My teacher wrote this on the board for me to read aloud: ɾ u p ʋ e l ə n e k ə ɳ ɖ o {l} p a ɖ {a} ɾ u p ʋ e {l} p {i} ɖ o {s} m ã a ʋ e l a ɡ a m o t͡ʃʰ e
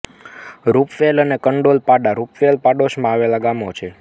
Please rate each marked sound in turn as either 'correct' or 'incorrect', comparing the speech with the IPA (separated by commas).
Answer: correct, correct, correct, incorrect, incorrect